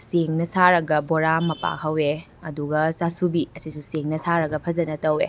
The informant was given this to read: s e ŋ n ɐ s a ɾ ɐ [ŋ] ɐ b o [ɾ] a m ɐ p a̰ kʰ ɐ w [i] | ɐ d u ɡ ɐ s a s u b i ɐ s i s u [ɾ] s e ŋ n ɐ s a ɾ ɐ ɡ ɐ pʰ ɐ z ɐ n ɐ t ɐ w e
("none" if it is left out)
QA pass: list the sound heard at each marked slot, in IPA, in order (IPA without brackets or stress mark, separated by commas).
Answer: ɡ, ɾ, e, none